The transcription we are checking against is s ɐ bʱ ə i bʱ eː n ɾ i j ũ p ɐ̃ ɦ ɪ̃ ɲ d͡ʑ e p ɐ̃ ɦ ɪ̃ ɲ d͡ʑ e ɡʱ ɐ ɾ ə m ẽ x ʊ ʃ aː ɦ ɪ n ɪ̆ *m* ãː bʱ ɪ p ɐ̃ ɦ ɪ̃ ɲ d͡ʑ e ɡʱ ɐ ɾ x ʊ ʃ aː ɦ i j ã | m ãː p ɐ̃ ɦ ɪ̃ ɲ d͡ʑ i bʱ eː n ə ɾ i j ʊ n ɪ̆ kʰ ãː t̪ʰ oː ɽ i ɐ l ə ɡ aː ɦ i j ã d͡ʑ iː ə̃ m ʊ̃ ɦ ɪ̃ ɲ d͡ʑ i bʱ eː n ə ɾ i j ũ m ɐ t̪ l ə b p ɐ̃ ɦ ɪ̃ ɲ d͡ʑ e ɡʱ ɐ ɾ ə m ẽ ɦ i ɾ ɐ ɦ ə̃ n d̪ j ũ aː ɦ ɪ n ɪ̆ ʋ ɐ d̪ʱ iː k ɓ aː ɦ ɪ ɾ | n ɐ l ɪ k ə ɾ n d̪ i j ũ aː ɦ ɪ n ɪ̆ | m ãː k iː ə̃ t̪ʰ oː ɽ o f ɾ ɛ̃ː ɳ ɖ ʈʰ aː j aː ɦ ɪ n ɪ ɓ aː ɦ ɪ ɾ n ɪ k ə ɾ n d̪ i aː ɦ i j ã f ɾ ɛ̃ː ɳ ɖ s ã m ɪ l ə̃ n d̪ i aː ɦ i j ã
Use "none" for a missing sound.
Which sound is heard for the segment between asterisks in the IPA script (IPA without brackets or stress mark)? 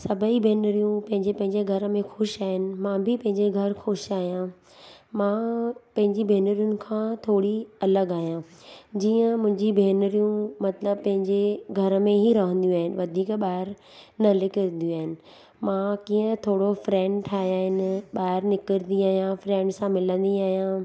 m